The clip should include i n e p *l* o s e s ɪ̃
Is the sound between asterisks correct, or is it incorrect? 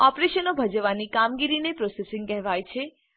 incorrect